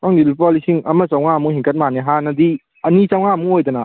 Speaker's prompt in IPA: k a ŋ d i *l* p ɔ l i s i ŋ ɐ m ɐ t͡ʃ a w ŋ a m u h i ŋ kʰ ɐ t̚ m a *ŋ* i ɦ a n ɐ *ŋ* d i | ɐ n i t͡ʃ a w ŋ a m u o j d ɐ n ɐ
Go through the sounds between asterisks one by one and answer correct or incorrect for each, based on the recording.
correct, incorrect: n, incorrect: none

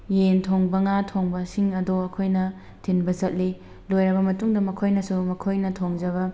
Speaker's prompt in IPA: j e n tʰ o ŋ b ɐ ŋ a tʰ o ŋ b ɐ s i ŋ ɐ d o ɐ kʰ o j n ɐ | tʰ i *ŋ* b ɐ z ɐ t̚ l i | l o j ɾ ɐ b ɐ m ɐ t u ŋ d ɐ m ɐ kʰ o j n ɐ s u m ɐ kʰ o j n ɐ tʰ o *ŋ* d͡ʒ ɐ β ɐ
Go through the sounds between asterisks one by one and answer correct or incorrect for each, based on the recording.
incorrect: n, correct

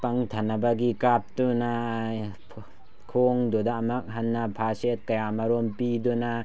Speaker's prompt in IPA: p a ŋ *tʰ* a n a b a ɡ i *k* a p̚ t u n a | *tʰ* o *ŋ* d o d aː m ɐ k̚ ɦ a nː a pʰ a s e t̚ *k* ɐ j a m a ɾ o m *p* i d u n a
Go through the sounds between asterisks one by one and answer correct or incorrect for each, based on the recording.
correct, correct, incorrect: kʰ, correct, correct, correct

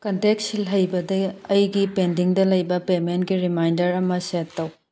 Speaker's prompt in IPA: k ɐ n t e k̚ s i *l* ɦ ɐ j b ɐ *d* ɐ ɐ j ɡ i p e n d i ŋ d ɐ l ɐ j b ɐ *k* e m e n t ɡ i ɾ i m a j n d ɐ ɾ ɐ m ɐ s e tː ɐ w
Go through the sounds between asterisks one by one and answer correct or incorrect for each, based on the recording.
correct, correct, incorrect: p

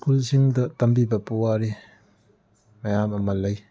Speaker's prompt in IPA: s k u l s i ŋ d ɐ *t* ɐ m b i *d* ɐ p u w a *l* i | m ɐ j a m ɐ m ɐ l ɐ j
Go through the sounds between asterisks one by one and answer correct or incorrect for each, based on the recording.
correct, incorrect: b, incorrect: ɾ

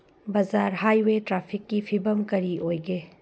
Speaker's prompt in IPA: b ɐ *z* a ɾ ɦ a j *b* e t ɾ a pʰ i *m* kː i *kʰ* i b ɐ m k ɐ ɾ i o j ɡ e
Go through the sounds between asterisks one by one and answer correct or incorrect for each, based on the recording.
correct, incorrect: w, incorrect: none, incorrect: pʰ

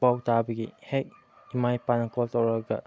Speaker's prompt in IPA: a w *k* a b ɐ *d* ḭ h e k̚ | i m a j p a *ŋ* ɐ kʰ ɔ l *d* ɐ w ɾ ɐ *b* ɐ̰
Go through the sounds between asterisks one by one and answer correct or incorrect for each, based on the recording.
incorrect: t, incorrect: ɡ, incorrect: n, incorrect: t, incorrect: ɡ

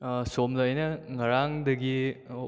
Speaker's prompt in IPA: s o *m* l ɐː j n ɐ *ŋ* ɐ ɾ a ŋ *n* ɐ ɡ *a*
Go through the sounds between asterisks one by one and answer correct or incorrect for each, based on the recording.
correct, correct, incorrect: d, incorrect: i

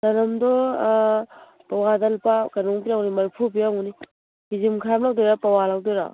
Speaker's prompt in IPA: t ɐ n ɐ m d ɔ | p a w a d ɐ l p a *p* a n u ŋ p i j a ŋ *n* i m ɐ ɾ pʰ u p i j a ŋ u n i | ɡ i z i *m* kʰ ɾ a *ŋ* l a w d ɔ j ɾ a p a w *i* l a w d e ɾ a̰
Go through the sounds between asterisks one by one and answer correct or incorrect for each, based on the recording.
incorrect: k, correct, correct, incorrect: m, incorrect: a

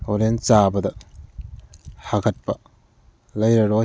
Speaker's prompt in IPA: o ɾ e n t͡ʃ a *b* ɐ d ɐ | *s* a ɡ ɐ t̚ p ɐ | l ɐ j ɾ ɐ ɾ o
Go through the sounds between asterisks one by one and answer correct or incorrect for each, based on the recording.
correct, incorrect: h

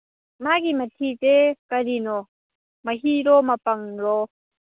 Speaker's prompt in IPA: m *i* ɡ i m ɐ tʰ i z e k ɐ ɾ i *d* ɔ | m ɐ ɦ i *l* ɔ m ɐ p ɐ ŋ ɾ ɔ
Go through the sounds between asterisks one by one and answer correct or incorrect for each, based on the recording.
incorrect: a, incorrect: n, incorrect: ɾ

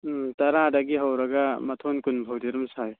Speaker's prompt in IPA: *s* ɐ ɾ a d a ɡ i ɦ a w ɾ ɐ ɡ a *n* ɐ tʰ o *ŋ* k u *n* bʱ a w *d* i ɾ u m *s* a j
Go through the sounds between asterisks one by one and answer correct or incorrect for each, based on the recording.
incorrect: t, incorrect: m, incorrect: n, correct, correct, correct

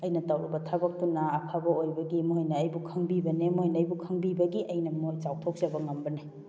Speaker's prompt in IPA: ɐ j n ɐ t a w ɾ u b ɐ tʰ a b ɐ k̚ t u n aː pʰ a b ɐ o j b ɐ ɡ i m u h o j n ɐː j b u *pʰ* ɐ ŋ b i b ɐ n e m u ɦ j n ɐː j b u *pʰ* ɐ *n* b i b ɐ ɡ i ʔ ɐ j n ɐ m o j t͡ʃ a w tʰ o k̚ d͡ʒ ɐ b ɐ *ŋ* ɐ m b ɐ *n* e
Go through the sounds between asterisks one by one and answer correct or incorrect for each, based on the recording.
incorrect: kʰ, incorrect: kʰ, incorrect: ŋ, correct, correct

